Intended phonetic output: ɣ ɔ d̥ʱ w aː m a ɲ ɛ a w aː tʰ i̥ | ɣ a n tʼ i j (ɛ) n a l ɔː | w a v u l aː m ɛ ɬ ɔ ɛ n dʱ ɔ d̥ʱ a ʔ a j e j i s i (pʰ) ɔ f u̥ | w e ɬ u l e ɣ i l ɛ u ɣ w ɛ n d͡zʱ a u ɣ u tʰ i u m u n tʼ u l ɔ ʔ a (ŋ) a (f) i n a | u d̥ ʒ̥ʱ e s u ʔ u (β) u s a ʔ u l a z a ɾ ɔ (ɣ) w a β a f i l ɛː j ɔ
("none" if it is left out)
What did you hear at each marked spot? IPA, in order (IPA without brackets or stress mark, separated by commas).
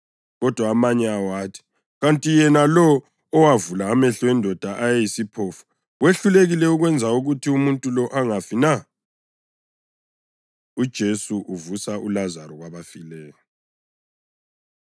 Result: ɛ, pʰ, ŋ, f, v, ɣ